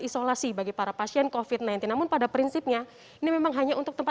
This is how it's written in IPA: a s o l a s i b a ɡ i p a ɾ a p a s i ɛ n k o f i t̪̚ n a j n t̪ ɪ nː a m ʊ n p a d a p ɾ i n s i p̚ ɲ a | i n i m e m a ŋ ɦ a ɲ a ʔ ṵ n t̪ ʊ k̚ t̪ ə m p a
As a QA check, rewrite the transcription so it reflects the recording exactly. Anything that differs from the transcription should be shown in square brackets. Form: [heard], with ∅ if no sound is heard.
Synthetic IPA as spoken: [i] s o l a s i b a ɡ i p a ɾ a p a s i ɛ n k o f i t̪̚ n a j n t̪ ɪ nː a m ʊ n p a d a p ɾ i n s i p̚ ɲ a | i n i m e m a ŋ ɦ a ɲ a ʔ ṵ n t̪ ʊ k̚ t̪ ə m p a

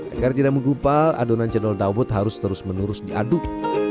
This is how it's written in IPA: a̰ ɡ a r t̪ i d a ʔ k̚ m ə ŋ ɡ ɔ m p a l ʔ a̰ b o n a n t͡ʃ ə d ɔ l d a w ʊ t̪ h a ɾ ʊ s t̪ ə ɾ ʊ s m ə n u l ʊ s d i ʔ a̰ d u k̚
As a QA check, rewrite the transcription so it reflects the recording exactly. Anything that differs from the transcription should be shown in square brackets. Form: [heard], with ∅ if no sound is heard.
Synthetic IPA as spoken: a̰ ɡ a r t̪ i d a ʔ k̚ m ə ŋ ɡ [u] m p a l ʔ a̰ [d] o n a n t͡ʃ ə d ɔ l d a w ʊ t̪ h a ɾ ʊ s t̪ ə ɾ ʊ s m ə n u [ɾ] ʊ s d i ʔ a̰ d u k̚

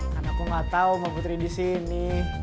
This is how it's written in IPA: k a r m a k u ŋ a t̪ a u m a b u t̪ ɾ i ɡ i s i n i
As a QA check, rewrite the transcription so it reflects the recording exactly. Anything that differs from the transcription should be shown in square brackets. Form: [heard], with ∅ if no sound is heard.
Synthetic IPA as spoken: k a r [n] a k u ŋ a t̪ a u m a [p] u t̪ ɾ i [d] i s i n i

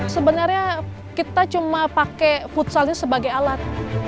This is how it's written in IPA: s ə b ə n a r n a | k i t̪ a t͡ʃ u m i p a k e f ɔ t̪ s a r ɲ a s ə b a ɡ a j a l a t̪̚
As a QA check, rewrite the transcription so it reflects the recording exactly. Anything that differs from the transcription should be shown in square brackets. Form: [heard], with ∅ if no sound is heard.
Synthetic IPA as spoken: s ə b ə n a r [ɲ] a | k i t̪ a t͡ʃ u m [a] p a k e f [u] t̪ s a [l] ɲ a s ə b a ɡ a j a l a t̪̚

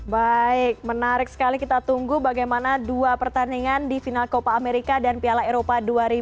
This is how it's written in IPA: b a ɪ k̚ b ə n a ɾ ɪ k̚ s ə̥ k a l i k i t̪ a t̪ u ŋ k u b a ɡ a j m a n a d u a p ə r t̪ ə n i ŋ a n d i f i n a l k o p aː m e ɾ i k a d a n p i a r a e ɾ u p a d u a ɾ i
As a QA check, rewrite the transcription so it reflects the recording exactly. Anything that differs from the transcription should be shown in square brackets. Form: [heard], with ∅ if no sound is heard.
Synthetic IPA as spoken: b a ɪ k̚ [m] ə n a ɾ ɪ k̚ s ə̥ k a l i k i t̪ a t̪ u ŋ [ɡ] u b a ɡ a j m a n a d u a p ə r t̪ [a] n i ŋ a n d i f i n a l k o p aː m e ɾ i k a d a n p i a [l] a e ɾ [o] p a d u a ɾ i

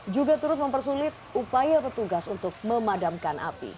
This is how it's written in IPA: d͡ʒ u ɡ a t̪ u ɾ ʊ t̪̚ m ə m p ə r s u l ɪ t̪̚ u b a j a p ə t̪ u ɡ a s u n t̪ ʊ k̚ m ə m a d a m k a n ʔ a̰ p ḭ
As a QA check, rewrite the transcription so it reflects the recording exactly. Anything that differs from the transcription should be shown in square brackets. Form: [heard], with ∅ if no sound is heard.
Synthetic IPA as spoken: d͡ʒ u ɡ a t̪ u ɾ ʊ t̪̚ m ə m p ə r s u l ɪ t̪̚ u [p] a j a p ə t̪ u ɡ a s u n t̪ ʊ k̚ m ə m a d a m k a n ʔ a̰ p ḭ

